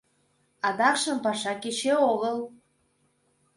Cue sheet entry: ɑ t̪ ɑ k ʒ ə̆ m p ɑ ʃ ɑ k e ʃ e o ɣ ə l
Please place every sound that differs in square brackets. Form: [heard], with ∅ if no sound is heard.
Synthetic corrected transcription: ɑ [d̪] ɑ k [ʃ] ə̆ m p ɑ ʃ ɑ k e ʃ e o ɣ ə l